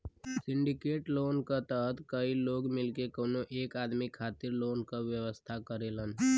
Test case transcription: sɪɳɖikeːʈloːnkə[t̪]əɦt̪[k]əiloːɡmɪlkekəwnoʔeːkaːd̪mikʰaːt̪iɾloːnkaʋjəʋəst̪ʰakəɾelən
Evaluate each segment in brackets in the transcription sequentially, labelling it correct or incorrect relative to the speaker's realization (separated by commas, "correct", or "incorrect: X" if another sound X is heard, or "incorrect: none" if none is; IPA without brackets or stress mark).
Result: correct, correct